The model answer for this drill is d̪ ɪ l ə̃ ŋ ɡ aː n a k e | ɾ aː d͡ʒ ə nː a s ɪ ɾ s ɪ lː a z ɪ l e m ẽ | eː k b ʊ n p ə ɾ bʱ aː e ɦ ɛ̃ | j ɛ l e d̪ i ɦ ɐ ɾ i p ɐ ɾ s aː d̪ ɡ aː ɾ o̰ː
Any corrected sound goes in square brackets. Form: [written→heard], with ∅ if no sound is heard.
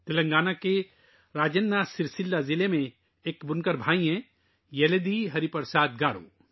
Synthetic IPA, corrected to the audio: [d̪→t̪] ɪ l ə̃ ŋ ɡ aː n a k e | ɾ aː d͡ʒ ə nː a s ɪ ɾ s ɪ lː a z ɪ l e m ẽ | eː k b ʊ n [p→k] ə ɾ bʱ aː [e→i] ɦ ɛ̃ | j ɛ l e d̪ i ɦ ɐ ɾ i p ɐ ɾ s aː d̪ ɡ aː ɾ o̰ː